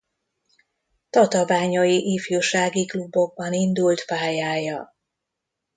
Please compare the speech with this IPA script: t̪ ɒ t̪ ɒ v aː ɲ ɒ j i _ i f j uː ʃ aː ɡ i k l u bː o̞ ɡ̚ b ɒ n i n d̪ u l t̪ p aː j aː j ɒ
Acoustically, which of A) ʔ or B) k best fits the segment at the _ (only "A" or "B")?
A